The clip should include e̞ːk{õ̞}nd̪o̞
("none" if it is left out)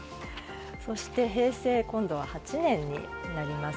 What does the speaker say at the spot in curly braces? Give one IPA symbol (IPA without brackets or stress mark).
õ̞